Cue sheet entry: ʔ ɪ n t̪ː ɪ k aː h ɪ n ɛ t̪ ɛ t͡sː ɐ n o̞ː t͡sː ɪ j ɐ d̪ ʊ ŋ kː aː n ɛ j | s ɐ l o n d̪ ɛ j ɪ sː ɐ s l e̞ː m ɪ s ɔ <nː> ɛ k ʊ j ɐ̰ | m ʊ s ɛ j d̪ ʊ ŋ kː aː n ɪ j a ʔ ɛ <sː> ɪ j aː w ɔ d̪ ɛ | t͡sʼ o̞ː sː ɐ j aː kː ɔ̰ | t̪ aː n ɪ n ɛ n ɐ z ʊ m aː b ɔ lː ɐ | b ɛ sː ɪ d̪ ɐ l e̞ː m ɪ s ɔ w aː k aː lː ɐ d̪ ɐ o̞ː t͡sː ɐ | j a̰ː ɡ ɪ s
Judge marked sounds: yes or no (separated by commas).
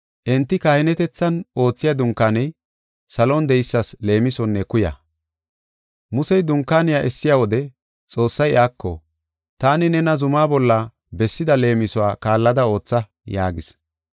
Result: yes, yes